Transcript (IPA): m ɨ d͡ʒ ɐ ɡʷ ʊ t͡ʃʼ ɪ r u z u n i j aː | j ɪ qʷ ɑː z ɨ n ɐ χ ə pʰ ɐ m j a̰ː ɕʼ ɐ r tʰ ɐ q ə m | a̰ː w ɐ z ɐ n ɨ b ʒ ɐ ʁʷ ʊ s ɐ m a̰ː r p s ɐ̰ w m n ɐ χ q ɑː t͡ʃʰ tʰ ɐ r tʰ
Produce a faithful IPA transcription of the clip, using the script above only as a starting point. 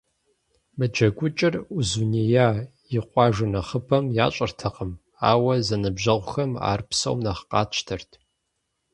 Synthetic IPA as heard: m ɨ d͡ʒ ɐ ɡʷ ʊ t͡ʃʼ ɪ r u z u n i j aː | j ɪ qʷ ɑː ʒ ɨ n ɐ χ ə pʰ ɐ m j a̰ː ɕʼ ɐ r tʰ ɐ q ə m | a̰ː w ɐ z ɐ n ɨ b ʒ ɐ ʁʷ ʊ x ɐ m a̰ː r p s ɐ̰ w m n ɐ χ q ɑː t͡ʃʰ tʰ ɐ r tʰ